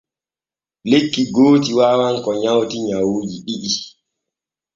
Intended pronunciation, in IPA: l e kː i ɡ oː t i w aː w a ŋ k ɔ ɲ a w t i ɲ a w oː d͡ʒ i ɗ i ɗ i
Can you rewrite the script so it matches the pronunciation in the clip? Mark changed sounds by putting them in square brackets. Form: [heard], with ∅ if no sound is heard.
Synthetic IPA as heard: l e kː i ɡ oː t i w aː w a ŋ k ɔ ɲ a w t i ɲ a w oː d͡ʒ i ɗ i ɗ i